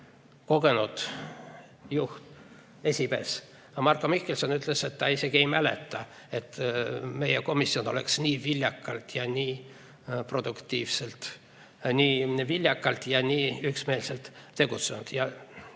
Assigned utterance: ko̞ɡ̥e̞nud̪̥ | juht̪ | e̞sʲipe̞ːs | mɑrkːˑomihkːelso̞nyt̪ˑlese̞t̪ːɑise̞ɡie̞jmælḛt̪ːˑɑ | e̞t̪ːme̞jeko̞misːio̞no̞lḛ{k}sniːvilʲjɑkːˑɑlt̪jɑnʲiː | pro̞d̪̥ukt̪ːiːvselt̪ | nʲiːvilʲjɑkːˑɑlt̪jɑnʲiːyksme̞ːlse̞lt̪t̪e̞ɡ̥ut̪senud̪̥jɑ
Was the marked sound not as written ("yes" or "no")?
no